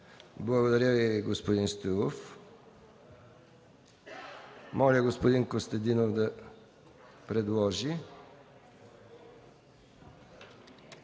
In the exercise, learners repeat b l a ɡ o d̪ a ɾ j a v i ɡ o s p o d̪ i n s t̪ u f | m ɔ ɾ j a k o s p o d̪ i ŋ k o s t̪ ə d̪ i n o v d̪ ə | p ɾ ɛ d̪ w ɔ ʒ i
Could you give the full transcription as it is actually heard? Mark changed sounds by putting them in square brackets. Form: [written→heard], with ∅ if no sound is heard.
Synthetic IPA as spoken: b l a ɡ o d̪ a ɾ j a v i ɡ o s p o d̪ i n s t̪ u f | m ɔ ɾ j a [k→ɡ] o s p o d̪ i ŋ k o s t̪ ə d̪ i n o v d̪ ə | p ɾ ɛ d̪ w ɔ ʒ i

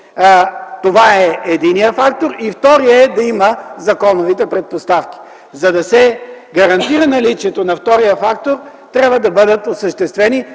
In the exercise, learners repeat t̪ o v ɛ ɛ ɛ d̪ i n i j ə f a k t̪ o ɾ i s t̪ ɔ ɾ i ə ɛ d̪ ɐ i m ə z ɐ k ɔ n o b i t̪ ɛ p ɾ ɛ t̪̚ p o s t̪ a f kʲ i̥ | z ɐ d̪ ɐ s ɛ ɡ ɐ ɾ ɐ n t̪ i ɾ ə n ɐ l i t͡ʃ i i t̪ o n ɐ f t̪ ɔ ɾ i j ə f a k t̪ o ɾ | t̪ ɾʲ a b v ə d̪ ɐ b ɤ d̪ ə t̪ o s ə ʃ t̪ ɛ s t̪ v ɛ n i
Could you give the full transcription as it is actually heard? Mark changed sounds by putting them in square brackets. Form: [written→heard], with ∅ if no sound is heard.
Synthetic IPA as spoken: t̪ o v [ɛ→a] ɛ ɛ d̪ i n i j ə f a k t̪ o ɾ i [s→f] t̪ ɔ ɾ i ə ɛ d̪ ɐ i m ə z ɐ k ɔ n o [b→v] i t̪ ɛ p ɾ ɛ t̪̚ p o s t̪ a f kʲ i̥ | z ɐ d̪ ɐ s ɛ ɡ ɐ ɾ ɐ n t̪ i ɾ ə n ɐ l i t͡ʃ i [i→ɛ] t̪ o n ɐ f t̪ ɔ ɾ i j ə f a k t̪ o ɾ | t̪ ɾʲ a b v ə d̪ ɐ b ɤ d̪ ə t̪ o s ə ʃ t̪ ɛ s t̪ v ɛ n i

